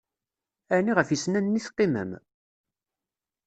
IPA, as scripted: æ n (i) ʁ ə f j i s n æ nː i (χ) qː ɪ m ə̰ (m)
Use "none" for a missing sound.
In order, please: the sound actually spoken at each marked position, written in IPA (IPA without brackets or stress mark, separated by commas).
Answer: i, θ, m